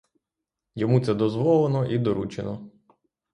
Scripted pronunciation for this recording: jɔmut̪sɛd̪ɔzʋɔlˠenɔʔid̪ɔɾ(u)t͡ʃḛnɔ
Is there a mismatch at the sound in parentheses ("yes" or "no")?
no